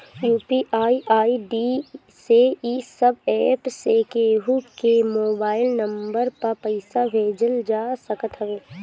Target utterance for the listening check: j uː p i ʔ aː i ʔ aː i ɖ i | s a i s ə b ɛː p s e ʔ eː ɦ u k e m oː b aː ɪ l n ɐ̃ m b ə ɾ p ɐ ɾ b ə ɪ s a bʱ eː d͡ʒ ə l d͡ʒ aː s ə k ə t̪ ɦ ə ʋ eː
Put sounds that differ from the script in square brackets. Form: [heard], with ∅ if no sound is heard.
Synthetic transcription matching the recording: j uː p i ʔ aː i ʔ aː i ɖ i | s [e] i s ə b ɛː p s e [k] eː ɦ u k e m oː b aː ɪ l n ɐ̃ m b ə ɾ p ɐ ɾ [p] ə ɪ s a bʱ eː d͡ʒ ə l d͡ʒ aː s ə k ə t̪ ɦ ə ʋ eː

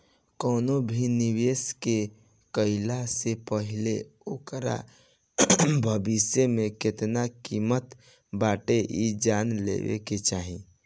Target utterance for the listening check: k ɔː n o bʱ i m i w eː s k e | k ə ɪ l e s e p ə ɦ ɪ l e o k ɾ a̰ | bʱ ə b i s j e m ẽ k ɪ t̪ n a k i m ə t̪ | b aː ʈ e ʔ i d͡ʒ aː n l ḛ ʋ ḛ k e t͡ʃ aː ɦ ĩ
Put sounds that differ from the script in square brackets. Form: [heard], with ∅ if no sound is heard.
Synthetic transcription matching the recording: k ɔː n o bʱ i [n] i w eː s k e | k ə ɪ l [a] s e p ə ɦ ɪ l e o k ɾ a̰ | bʱ ə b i s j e m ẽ k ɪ t̪ n a k i m ə t̪ | b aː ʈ e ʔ i d͡ʒ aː n l ḛ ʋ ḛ k e t͡ʃ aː ɦ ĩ

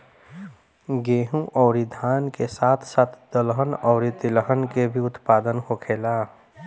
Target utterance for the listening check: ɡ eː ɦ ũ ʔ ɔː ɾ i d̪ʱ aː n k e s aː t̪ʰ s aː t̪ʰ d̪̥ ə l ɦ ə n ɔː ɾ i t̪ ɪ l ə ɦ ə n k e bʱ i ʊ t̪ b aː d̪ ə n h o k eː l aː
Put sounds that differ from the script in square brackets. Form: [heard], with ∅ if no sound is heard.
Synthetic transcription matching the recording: ɡ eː ɦ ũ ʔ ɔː ɾ i d̪ʱ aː n k e s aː t̪ʰ s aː t̪ʰ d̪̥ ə l ɦ ə n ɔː ɾ i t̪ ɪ l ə ɦ ə n k e bʱ i ʊ t̪ [p] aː d̪ ə n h o [kʰ] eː l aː

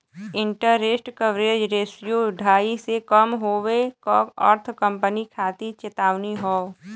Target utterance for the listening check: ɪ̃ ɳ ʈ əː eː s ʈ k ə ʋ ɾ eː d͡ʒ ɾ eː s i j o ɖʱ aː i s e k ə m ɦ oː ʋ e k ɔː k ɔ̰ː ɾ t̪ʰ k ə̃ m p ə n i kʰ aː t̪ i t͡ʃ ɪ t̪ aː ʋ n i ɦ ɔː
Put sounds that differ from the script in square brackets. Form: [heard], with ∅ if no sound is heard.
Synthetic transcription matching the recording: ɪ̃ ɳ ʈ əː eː s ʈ k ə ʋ ɾ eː d͡ʒ ɾ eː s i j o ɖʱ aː i s e k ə m ɦ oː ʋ e k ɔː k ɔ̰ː ɾ t̪ʰ k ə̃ m p ə n i kʰ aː t̪ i t͡ʃ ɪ t̪ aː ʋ n i ɦ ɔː

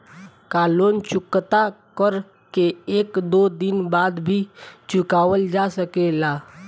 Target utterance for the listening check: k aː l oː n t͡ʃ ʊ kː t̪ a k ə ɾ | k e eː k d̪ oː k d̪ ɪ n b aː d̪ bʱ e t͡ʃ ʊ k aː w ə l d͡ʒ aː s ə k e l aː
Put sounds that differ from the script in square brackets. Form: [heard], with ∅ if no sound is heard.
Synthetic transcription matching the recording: k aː l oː n t͡ʃ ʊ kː t̪ a k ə ɾ | k e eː k d̪ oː [∅] d̪ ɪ n b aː d̪ bʱ [i] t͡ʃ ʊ k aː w ə l d͡ʒ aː s ə k e l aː

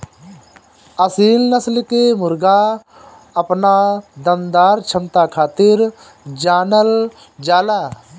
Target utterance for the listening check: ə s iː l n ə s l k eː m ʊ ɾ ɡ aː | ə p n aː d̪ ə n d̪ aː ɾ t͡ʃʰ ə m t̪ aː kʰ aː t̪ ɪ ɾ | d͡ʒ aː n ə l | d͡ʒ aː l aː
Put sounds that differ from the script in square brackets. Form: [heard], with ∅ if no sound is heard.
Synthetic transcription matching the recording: ə s iː l n ə s l k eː m ʊ ɾ ɡ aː | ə p n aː d̪ ə n d̪ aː ɾ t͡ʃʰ ə m t̪ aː kʰ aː t̪ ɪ ɾ | d͡ʒ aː n ə l | d͡ʒ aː l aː

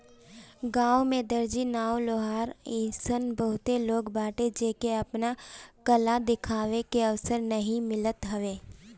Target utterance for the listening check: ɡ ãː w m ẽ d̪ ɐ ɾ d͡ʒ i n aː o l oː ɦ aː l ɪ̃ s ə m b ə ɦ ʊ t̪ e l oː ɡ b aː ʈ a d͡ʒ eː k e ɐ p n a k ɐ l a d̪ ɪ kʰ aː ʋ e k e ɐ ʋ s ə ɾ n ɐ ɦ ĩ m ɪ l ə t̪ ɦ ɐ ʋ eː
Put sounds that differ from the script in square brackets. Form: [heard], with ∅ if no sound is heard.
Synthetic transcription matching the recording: ɡ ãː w m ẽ d̪ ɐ ɾ d͡ʒ i n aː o l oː ɦ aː [ɾ] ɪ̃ s ə [n] b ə ɦ ʊ t̪ e l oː ɡ b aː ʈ [e] d͡ʒ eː k e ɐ p n a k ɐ l a d̪ ɪ kʰ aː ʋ e k e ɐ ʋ s ə ɾ n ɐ ɦ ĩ m ɪ l ə t̪ ɦ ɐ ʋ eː

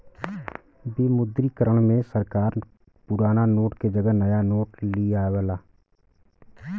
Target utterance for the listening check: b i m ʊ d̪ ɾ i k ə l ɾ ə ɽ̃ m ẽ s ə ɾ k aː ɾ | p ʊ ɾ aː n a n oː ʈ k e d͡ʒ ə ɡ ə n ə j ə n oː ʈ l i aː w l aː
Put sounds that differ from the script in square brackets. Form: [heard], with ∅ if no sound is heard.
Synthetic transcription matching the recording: b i m ʊ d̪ ɾ i k ə [∅] ɾ ə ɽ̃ m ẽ s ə ɾ k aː ɾ | p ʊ ɾ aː n a n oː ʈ k e d͡ʒ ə ɡ ə n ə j [a] n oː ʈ l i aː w l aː

